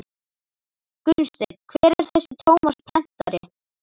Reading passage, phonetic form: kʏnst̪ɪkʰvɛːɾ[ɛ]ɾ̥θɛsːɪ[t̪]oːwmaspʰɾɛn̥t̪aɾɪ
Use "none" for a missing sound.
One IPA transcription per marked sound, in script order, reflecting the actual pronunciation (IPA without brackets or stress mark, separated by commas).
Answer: ɛ, t̪ʰ